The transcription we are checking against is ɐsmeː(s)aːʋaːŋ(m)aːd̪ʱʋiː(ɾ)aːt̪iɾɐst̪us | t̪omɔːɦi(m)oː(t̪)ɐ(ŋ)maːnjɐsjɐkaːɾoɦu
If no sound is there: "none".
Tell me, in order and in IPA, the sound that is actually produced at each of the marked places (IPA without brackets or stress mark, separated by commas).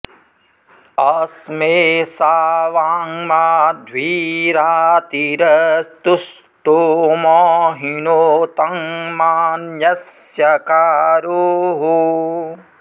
s, m, ɾ, n, t̪, ŋ